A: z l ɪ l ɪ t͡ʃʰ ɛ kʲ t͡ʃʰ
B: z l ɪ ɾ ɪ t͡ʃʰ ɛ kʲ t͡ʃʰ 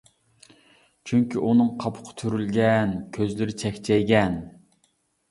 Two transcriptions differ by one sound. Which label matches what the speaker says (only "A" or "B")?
B